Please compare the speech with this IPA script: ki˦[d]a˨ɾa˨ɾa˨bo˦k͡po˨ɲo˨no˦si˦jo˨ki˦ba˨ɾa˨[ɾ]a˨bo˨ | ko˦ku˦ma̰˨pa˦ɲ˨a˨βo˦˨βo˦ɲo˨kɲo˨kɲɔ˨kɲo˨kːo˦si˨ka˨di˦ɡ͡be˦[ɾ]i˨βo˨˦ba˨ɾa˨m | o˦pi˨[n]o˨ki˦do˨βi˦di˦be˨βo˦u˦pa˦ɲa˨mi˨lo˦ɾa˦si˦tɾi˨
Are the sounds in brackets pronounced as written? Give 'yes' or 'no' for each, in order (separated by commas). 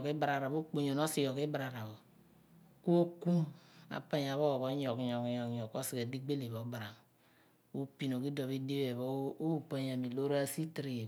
no, yes, no, yes